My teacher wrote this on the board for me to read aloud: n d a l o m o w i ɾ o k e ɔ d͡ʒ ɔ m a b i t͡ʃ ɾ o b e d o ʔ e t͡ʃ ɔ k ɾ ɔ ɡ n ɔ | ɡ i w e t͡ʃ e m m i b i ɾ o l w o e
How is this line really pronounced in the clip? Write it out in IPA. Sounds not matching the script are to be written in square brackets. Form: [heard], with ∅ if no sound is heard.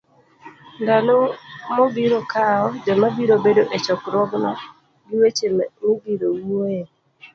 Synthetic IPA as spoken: n d a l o m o [b] i ɾ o k [a] ɔ d͡ʒ ɔ m a b i [∅] ɾ o b e d o ʔ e t͡ʃ ɔ k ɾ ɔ ɡ n ɔ | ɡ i w e t͡ʃ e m m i b i ɾ o [∅] w o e